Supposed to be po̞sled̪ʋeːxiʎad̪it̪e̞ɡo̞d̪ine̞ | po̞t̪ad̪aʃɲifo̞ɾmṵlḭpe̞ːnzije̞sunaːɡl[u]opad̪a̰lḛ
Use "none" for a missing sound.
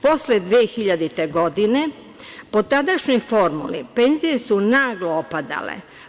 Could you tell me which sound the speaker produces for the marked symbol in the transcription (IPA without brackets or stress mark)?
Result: o